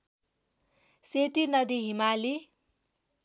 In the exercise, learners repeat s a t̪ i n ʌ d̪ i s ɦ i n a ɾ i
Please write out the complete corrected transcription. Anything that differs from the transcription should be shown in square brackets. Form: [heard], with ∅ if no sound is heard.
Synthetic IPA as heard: s [e] t̪ i n ʌ d̪ i [∅] ɦ i [m] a [l] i